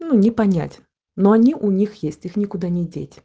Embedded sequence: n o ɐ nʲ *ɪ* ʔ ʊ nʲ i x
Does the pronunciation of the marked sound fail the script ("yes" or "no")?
yes